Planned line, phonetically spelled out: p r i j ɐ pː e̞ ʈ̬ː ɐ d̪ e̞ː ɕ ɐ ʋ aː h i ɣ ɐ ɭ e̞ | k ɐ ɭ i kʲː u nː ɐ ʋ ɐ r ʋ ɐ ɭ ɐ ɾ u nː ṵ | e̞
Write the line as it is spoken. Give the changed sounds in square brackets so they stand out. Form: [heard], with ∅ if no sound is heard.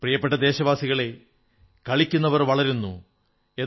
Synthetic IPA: p r i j ɐ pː e̞ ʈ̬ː ɐ d̪ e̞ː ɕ ɐ ʋ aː [s] i ɣ ɐ ɭ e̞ | k ɐ ɭ i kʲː u nː ɐ ʋ ɐ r ʋ ɐ ɭ ɐ ɾ u nː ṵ | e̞